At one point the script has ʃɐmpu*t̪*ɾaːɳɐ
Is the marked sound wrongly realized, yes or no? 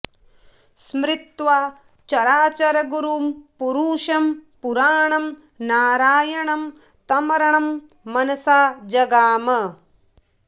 yes